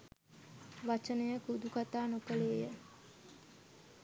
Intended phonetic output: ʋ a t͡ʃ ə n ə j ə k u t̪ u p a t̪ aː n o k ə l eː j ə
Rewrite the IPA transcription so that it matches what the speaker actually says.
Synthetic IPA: ʋ a t͡ʃ ə n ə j ə k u d̪ u k a t̪ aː n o k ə l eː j ə